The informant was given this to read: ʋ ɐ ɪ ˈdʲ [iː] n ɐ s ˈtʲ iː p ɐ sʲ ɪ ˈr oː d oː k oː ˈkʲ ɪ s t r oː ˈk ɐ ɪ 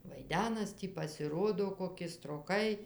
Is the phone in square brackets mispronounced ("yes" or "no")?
yes